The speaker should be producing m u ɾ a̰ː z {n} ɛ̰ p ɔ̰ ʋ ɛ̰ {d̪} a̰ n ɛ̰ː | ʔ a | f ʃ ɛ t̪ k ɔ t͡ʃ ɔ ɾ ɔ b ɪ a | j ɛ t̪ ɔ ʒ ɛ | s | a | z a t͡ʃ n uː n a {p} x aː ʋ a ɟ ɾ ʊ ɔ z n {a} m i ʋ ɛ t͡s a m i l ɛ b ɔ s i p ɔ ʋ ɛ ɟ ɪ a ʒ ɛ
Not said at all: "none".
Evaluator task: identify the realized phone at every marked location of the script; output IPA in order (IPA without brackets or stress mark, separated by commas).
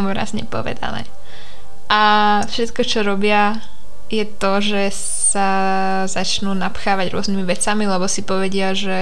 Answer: ɲ, d̪, p, i